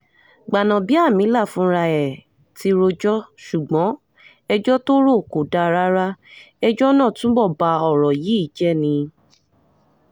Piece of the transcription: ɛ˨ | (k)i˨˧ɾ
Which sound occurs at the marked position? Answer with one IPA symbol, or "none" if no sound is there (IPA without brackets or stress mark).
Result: t